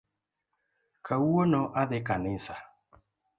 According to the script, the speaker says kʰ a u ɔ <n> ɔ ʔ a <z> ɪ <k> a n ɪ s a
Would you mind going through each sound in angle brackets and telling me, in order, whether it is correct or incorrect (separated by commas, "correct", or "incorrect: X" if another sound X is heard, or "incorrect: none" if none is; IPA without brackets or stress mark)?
correct, incorrect: ð, correct